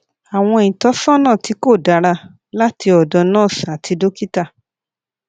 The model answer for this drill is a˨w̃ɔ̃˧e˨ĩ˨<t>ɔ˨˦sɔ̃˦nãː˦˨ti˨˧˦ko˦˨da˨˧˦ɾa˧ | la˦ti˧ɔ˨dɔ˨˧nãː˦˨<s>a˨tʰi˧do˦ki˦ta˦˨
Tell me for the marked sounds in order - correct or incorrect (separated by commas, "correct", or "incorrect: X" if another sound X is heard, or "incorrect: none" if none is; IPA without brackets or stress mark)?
correct, correct